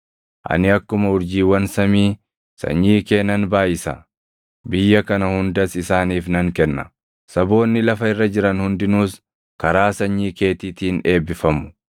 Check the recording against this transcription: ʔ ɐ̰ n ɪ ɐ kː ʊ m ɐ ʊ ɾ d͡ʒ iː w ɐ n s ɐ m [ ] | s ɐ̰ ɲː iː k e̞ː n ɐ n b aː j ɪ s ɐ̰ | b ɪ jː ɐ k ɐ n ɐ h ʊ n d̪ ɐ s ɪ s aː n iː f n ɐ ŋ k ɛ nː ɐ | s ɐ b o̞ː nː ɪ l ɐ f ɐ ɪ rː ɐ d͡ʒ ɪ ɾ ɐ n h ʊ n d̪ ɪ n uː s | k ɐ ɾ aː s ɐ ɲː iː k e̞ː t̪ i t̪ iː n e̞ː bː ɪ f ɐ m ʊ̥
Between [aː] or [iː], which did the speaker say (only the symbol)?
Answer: iː